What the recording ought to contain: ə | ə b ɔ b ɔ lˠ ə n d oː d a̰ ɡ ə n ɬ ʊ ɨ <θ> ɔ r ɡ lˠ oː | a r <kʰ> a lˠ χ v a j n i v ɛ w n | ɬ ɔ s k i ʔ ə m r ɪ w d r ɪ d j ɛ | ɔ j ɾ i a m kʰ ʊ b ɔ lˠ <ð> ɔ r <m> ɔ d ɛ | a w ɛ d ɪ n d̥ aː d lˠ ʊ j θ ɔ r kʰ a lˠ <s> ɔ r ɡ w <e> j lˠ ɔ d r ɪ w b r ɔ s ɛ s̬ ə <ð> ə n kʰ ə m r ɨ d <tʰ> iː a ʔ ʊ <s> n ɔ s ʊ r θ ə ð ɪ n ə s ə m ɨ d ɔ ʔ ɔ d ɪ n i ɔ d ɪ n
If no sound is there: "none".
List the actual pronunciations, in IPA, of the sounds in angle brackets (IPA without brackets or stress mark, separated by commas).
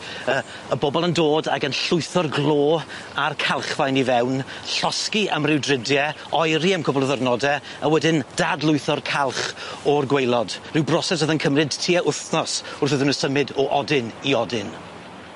θ, kʰ, ð, n, χ, e, ð, tʰ, θ